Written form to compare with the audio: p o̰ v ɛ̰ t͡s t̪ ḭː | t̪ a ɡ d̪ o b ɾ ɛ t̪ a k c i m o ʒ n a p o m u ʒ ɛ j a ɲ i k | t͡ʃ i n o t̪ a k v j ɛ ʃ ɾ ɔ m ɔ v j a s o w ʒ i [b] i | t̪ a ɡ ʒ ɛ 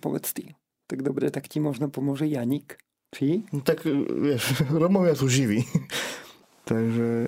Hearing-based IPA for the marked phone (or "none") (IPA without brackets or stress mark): v